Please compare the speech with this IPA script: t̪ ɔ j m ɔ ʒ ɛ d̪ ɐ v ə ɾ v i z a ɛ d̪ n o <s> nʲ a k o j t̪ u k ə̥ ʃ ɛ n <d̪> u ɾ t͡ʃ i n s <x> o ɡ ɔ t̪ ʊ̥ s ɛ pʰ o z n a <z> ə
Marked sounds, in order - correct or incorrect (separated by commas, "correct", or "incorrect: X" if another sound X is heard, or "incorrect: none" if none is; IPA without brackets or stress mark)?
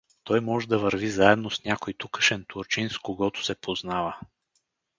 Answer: correct, incorrect: t̪, incorrect: k, incorrect: v